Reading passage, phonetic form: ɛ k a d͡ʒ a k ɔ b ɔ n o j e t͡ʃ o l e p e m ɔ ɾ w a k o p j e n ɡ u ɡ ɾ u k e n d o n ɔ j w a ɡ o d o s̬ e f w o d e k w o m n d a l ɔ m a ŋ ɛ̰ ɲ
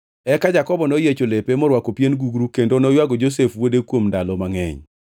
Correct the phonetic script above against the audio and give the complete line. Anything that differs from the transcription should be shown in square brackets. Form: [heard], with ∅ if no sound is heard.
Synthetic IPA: ɛ k a d͡ʒ a k ɔ b ɔ n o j e t͡ʃ o l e p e m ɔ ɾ w a k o p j e n ɡ u ɡ ɾ u k e n d o n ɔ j w a ɡ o [d͡ʒ] o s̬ e f w o d e k w o m n d a l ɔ m a ŋ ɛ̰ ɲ